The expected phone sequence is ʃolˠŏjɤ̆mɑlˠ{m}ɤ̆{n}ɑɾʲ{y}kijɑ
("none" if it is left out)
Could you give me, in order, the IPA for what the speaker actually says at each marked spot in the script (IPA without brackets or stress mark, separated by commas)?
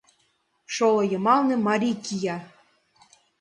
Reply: n, m, i